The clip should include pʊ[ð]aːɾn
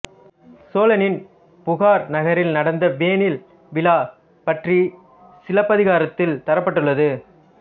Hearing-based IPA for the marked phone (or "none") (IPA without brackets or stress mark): ɣ